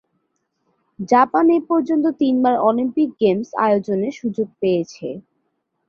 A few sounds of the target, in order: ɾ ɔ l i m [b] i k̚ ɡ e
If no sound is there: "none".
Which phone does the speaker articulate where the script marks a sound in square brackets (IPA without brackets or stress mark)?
p